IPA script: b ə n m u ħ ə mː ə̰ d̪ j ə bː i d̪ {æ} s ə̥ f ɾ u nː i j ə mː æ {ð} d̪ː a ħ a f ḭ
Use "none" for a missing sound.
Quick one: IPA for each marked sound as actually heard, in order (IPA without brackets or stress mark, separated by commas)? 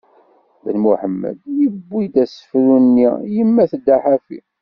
æ, θ